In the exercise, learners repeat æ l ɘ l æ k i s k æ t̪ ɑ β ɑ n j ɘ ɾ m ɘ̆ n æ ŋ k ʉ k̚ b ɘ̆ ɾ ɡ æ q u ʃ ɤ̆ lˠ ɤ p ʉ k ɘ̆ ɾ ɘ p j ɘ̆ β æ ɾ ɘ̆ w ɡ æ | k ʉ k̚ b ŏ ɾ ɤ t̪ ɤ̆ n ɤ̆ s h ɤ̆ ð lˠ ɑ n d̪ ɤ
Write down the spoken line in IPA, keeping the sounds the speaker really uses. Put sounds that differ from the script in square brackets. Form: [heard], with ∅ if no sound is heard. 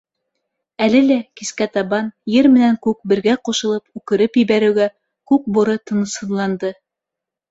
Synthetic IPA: æ l ɘ l æ k i s k æ t̪ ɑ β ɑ n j ɘ ɾ m ɘ̆ n æ ŋ k ʉ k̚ b ɘ̆ ɾ ɡ æ q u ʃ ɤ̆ lˠ ɤ p ʉ k ɘ̆ ɾ ɘ p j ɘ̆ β æ ɾ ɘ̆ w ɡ æ | k ʉ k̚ b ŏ ɾ ɤ t̪ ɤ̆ n ɤ̆ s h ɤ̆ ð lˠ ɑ n d̪ ɤ